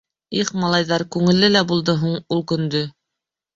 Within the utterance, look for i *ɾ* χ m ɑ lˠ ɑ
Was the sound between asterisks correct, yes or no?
no